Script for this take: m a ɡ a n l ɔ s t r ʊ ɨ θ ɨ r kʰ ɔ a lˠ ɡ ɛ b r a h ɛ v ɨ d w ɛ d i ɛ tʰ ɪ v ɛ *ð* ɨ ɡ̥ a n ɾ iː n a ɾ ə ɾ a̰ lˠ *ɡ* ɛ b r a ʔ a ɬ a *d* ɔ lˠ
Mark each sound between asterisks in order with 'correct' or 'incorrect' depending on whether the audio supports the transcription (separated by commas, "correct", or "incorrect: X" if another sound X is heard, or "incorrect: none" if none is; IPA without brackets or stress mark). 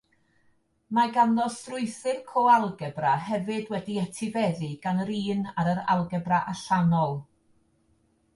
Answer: correct, correct, incorrect: n